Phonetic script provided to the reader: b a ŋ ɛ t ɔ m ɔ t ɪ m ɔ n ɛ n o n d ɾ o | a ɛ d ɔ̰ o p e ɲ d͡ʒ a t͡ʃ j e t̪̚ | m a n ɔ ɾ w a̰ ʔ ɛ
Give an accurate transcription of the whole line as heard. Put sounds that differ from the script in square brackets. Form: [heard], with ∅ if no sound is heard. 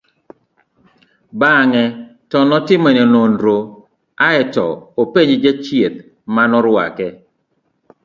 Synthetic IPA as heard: b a ŋ ɛ t ɔ [n] ɔ t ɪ m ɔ n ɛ n o n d ɾ o | a ɛ [t] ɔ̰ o p e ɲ d͡ʒ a t͡ʃ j e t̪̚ | m a n ɔ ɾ w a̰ [k] ɛ